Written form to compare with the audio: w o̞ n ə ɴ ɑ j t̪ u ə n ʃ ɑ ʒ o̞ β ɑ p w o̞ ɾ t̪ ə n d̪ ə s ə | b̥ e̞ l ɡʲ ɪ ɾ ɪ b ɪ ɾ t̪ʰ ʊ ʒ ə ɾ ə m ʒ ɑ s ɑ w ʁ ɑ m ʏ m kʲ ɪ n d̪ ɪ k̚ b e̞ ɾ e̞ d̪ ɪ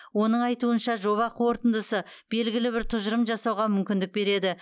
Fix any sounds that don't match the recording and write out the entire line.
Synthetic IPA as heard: w o̞ n ə ɴ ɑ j t̪ u ə n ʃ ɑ ʒ o̞ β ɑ q w o̞ ɾ t̪ ə n d̪ ə s ə | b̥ e̞ l ɡʲ ɪ l ɪ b ɪ ɾ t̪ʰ ʊ ʒ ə ɾ ə m ʒ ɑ s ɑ w ʁ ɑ m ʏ m kʲ ɪ n d̪ ɪ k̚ b e̞ ɾ e̞ d̪ ɪ